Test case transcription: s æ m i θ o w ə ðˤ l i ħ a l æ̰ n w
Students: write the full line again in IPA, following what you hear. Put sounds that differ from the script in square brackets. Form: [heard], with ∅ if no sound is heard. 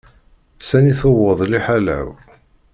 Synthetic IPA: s æ [n] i θ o w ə ðˤ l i ħ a l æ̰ [∅] w